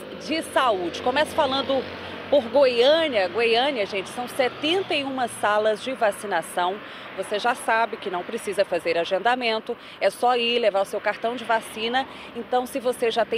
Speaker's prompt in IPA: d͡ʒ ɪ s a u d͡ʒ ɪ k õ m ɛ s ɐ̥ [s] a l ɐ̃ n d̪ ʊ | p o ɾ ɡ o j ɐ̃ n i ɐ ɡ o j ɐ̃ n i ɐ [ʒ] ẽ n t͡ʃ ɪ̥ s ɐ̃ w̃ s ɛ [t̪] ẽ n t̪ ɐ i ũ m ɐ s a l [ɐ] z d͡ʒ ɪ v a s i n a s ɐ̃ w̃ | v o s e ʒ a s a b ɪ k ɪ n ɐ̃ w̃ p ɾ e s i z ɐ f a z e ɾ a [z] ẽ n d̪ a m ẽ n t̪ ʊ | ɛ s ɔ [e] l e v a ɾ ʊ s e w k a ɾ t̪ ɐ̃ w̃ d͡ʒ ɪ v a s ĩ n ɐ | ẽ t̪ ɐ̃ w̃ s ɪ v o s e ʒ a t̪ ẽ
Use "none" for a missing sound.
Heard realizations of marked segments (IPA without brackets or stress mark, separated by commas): f, ʒ, t̪, ɐ, ʒ, i